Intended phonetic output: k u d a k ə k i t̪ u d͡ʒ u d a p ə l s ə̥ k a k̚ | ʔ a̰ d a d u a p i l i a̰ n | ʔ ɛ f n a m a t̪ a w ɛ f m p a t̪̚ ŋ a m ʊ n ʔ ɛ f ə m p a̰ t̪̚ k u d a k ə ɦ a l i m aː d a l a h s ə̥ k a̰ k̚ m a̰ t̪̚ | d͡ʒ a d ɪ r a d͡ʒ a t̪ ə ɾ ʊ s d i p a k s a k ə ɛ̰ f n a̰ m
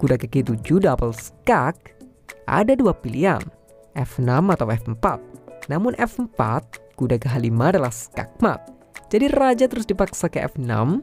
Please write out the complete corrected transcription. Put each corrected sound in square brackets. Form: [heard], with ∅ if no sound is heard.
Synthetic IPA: k u d a k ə k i t̪ u d͡ʒ u d a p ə l s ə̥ k a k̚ | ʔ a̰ d a d u a p i l i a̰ n | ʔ ɛ f n a m a t̪ a w ɛ f m p a t̪̚ [n] a m ʊ n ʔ ɛ f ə m p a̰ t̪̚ k u d a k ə ɦ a l i m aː d a l a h s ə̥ k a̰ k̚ m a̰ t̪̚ | d͡ʒ a d [i] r a d͡ʒ a t̪ ə ɾ ʊ s d i p a k s a k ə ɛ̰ f n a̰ m